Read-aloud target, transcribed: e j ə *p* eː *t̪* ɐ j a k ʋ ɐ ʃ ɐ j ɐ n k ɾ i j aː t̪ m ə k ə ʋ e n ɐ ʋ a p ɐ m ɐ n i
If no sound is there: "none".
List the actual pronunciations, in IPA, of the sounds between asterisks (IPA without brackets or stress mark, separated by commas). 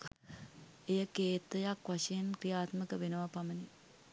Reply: k, t̪